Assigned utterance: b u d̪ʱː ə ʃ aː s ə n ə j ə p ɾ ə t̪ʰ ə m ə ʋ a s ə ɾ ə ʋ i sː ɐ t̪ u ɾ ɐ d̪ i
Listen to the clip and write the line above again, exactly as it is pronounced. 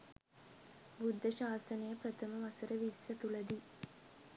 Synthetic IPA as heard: b u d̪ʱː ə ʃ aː s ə n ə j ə p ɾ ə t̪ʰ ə m ə ʋ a s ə ɾ ə ʋ i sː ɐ t̪ u l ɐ d̪ i